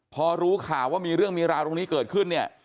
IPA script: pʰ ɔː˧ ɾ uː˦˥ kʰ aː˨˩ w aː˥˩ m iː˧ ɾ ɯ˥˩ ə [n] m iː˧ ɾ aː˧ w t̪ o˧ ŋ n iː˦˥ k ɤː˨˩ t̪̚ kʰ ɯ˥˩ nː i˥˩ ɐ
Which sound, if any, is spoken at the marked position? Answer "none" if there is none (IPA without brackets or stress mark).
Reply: ŋ